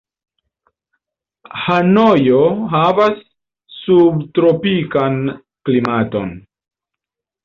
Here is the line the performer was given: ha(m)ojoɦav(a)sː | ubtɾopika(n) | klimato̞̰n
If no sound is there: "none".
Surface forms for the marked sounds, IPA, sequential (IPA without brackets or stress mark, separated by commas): n, a, n